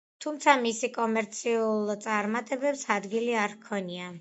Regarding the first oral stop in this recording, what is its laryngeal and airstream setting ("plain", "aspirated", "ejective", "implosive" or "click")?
aspirated